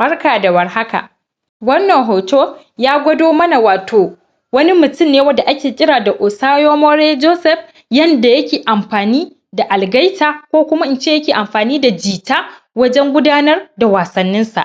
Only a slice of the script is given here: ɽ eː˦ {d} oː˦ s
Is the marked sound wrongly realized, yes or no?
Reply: yes